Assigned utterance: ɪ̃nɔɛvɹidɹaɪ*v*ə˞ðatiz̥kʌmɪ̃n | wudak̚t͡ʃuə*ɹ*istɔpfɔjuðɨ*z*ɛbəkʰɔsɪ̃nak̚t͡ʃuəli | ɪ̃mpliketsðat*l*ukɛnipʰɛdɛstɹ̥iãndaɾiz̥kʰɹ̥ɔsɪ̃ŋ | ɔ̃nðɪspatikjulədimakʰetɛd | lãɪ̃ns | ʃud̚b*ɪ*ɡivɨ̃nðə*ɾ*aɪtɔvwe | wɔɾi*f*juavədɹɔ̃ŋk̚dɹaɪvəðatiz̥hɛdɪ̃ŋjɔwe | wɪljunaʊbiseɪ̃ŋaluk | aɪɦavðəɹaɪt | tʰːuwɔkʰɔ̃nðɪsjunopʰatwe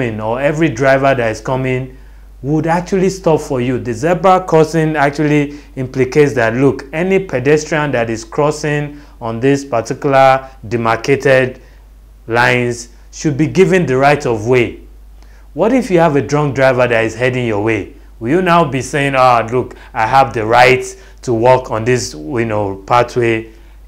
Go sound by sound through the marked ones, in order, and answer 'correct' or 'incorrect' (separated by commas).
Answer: correct, incorrect, correct, correct, incorrect, incorrect, correct